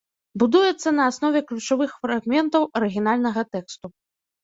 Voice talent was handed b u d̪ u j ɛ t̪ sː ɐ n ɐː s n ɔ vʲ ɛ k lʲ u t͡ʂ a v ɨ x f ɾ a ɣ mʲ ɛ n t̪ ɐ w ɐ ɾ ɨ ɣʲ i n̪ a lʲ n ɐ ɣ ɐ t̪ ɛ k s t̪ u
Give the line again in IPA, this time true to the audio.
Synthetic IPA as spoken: b u d̪ u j ɛ t̪ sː ɐ n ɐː s n ɔ vʲ ɛ k lʲ u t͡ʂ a v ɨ x f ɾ a ɣ mʲ ɛ n t̪ ɐ w ɐ ɾ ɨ ɣʲ i n̪ a lʲ n ɐ ɣ ɐ t̪ ɛ k s t̪ u